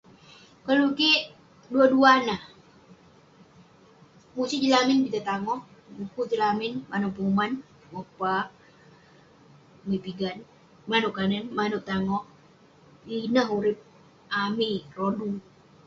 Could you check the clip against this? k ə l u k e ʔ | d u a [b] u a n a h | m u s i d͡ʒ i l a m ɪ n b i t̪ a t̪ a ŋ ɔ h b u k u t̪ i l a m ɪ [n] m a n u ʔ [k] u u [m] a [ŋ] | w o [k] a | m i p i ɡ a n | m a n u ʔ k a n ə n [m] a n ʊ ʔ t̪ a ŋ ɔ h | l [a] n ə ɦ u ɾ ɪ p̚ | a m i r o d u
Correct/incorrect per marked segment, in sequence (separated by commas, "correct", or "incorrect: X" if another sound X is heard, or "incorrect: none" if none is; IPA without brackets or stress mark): incorrect: d, correct, incorrect: p, correct, incorrect: n, incorrect: p, correct, incorrect: i